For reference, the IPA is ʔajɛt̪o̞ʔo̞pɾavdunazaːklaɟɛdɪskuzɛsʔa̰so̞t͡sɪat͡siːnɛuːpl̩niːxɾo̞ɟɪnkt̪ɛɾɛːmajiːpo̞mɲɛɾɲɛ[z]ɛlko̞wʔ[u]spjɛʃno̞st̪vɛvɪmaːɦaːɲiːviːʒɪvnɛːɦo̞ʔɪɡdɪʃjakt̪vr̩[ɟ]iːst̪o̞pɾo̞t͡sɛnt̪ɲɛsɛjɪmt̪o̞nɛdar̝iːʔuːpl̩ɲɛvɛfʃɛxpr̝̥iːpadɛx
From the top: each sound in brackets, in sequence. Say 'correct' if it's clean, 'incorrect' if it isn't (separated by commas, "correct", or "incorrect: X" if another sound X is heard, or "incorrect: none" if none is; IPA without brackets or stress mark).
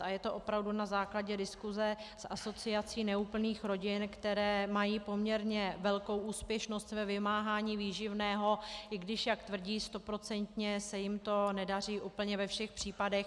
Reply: incorrect: v, incorrect: uː, correct